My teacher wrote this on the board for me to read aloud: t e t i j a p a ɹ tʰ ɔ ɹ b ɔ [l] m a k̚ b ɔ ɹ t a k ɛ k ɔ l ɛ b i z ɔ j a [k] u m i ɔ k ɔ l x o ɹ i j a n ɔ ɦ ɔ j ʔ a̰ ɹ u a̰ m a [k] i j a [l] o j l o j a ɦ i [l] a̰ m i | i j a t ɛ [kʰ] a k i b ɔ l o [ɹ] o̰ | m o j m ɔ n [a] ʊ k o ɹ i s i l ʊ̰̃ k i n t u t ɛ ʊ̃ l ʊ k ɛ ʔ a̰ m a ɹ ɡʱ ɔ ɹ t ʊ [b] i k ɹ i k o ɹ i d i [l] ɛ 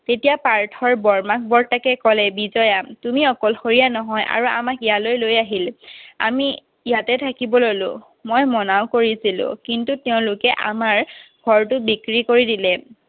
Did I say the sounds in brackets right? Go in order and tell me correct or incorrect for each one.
incorrect: ɹ, incorrect: t, correct, correct, correct, incorrect: tʰ, incorrect: l, correct, correct, correct

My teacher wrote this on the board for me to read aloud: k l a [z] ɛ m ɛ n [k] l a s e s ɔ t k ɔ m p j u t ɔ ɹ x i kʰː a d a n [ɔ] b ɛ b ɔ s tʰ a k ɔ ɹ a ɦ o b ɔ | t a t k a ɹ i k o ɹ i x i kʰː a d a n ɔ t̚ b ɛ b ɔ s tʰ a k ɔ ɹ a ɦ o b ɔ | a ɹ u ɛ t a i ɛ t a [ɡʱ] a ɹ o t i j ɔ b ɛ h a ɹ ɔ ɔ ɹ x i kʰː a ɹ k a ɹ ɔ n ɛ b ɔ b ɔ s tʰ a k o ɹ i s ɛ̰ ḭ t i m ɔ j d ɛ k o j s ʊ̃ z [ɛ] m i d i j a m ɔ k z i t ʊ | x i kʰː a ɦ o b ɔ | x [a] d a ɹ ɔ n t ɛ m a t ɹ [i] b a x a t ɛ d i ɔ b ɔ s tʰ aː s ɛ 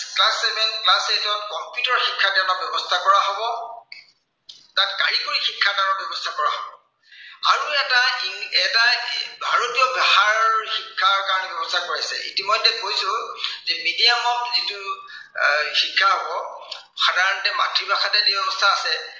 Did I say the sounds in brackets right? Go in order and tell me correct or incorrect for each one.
incorrect: s, correct, correct, incorrect: bʱ, correct, correct, correct

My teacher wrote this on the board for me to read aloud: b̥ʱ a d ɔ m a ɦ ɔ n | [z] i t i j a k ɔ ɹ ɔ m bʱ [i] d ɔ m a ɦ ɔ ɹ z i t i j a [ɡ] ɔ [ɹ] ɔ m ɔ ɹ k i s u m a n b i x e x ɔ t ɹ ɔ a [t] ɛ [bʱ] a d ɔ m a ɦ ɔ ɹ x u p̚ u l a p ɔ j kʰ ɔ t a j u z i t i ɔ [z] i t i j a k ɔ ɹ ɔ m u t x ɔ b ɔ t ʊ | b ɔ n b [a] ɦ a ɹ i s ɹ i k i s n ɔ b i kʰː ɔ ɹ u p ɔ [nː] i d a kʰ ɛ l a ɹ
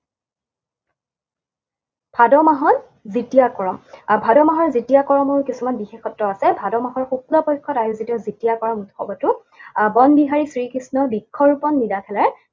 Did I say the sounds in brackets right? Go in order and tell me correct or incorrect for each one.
correct, incorrect: a, incorrect: k, correct, incorrect: s, correct, correct, incorrect: i, correct

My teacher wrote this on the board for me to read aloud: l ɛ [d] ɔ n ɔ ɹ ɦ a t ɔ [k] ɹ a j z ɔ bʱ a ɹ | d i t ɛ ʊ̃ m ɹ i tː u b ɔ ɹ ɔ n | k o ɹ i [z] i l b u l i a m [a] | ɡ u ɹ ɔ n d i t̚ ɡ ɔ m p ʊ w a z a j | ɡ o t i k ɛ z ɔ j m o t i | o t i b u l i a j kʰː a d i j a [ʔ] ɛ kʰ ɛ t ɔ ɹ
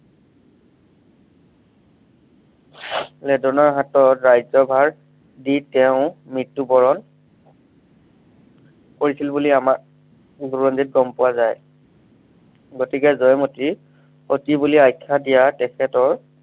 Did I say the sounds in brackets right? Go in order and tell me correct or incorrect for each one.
correct, incorrect: t, incorrect: s, correct, incorrect: t

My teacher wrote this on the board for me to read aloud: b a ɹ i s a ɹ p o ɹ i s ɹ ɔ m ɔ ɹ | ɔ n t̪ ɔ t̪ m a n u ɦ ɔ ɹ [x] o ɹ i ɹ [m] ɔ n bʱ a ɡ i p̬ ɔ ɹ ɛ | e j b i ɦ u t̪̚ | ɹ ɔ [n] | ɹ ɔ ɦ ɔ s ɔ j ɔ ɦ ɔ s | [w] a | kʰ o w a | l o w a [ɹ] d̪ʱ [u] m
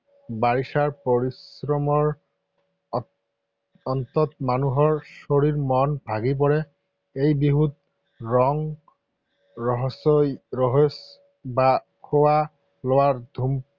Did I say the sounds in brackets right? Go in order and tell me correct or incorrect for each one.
incorrect: s, correct, incorrect: ŋ, incorrect: b, correct, correct

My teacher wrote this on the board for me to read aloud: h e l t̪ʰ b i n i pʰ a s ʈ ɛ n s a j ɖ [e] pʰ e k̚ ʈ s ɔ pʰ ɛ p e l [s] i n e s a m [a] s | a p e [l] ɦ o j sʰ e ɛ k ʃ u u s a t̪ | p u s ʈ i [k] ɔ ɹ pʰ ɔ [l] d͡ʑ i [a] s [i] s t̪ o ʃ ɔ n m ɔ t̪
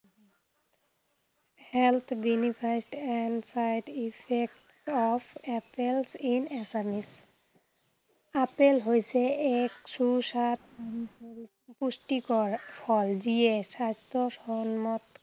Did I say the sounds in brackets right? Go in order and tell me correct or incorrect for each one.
incorrect: i, correct, incorrect: i, correct, correct, correct, incorrect: e, incorrect: a

